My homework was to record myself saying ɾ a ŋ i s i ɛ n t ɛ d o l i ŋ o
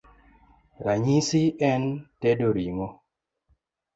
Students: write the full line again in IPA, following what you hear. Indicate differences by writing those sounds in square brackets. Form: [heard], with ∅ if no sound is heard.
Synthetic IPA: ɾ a [ɲ] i s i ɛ n t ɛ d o [ɾ] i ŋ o